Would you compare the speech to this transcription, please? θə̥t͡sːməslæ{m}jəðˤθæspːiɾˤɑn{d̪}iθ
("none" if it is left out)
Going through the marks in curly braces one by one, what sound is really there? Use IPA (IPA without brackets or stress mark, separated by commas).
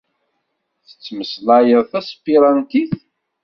none, t̪